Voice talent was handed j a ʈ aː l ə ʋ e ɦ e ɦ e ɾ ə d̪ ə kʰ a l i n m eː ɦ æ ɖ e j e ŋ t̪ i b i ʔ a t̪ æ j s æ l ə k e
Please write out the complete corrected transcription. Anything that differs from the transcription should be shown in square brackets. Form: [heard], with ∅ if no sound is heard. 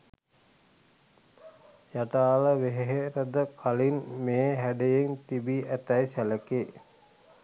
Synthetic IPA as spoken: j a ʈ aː l ə ʋ e ɦ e ɦ e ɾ ə d̪ ə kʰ a l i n m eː ɦ æ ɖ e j e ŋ t̪ i b i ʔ [æ] t̪ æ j s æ l ə k e